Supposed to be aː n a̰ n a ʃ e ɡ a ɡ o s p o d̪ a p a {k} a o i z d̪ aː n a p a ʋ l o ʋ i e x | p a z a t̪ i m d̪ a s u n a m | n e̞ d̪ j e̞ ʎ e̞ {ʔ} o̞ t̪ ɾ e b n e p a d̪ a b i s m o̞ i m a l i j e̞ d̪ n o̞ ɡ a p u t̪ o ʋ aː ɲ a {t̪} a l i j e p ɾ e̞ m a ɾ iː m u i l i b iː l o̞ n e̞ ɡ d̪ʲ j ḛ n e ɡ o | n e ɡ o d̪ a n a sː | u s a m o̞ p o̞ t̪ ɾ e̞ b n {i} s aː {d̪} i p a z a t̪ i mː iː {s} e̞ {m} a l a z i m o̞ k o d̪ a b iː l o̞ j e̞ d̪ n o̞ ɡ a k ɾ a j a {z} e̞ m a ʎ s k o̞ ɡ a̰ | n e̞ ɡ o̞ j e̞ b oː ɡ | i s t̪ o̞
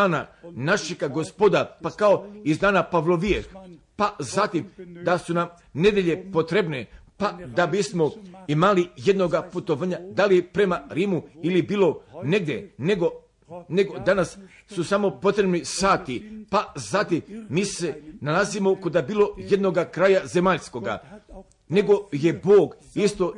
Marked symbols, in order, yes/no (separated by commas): yes, no, no, yes, no, yes, no, yes